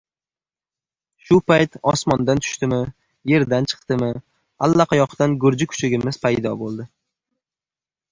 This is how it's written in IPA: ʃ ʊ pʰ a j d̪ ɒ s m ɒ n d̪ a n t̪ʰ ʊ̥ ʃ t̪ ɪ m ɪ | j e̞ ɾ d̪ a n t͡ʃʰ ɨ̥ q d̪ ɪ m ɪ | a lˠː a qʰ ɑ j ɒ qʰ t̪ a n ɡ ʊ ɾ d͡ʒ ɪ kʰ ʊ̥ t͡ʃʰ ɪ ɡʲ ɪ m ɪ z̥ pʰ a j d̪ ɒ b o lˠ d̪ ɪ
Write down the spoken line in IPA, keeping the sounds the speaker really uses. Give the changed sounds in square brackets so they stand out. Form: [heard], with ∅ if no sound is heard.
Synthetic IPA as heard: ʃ ʊ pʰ a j [t̪] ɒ s m ɒ n d̪ a n t̪ʰ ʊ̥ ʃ t̪ ɪ m ɪ | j e̞ ɾ d̪ a n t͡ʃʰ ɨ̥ q [t̪] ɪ m ɪ | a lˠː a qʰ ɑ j ɒ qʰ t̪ a n ɡ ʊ ɾ d͡ʒ ɪ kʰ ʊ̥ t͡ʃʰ ɪ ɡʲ ɪ m ɪ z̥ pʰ a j d̪ ɒ b o lˠ d̪ ɪ